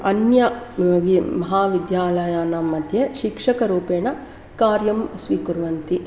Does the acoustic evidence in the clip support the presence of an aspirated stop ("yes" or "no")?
no